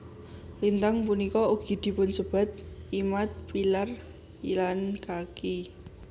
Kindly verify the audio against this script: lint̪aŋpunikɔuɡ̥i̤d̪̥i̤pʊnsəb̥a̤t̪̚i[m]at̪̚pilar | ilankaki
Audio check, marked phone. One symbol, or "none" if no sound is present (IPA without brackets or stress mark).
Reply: m